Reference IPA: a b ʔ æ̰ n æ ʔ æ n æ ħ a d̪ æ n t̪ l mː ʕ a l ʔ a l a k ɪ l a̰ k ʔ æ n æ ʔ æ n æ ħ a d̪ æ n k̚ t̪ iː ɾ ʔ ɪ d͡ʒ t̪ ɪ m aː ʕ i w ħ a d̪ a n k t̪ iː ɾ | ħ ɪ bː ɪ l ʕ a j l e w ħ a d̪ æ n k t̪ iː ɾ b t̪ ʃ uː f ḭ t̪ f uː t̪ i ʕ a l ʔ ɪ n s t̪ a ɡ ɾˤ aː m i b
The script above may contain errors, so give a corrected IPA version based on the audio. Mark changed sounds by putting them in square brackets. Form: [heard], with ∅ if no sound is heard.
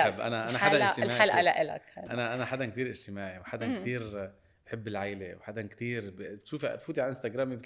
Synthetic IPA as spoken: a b ʔ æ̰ n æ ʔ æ n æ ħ a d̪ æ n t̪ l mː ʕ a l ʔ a l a [ʔ] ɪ l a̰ k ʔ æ n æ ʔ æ n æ ħ a d̪ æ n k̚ t̪ iː ɾ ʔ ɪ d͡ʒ t̪ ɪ m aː ʕ i w ħ a d̪ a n k t̪ iː ɾ | ħ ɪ bː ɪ l ʕ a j l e w ħ a d̪ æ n k t̪ iː ɾ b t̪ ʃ uː f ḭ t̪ f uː t̪ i ʕ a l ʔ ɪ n s t̪ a ɡ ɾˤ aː m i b